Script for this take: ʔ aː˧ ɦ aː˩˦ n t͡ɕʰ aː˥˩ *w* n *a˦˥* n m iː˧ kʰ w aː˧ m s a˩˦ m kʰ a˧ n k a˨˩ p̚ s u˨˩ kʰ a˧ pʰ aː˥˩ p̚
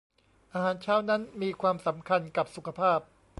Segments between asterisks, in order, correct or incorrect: correct, correct

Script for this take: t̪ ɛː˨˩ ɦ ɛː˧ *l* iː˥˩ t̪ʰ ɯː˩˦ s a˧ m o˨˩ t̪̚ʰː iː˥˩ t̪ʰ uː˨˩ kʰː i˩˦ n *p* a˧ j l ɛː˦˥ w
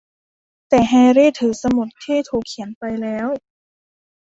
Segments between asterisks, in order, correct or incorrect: incorrect, correct

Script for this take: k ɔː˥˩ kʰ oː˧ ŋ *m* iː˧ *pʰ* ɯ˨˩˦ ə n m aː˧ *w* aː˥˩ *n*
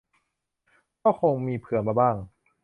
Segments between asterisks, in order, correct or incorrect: correct, correct, incorrect, incorrect

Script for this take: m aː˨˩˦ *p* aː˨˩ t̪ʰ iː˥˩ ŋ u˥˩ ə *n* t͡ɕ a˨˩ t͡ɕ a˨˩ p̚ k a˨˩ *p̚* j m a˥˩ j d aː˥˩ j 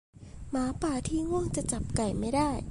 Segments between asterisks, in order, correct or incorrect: correct, incorrect, incorrect

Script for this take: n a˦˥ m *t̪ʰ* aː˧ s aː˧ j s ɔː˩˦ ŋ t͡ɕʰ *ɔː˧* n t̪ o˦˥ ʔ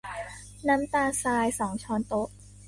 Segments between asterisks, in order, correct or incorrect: incorrect, correct

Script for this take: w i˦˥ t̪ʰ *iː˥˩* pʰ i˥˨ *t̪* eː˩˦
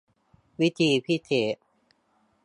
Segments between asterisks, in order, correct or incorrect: incorrect, incorrect

